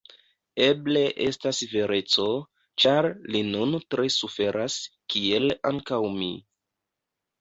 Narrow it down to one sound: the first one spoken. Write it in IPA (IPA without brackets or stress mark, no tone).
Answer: e̞